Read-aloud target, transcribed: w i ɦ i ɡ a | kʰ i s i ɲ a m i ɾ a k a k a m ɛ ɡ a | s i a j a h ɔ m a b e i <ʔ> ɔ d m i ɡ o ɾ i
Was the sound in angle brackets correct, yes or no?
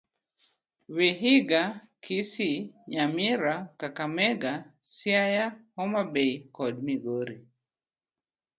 no